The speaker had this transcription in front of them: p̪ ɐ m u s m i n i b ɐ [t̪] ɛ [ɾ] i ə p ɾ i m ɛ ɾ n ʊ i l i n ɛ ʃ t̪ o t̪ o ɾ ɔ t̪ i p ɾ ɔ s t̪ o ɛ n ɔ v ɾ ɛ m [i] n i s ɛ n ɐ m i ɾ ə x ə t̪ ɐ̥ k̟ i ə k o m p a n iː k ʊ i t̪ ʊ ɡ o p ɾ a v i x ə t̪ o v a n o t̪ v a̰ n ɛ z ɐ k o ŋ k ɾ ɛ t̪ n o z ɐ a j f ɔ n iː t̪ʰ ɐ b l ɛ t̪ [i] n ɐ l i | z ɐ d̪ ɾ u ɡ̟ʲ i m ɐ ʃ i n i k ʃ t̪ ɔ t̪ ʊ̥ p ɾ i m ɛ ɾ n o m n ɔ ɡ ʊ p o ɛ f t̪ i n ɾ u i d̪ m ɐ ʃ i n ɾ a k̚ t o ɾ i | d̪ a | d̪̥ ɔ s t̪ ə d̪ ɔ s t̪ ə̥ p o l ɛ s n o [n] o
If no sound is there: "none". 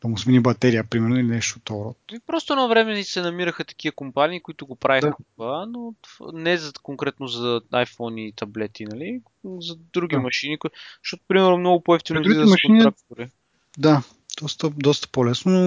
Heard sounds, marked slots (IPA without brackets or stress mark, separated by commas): t̪, ɾ, ɛ, i, n